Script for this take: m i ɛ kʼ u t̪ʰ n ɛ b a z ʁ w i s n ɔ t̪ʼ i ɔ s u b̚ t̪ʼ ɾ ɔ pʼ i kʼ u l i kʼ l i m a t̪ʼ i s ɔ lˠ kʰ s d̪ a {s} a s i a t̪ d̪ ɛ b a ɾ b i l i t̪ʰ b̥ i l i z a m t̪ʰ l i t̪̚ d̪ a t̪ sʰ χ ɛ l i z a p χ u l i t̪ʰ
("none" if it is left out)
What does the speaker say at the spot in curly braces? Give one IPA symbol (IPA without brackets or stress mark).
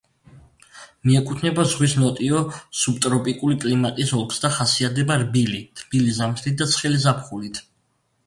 χ